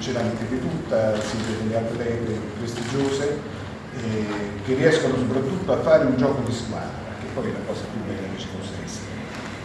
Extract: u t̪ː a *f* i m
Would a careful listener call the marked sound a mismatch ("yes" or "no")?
yes